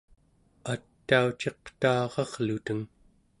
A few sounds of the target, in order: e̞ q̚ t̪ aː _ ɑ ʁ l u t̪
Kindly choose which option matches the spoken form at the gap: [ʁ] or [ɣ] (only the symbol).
ʁ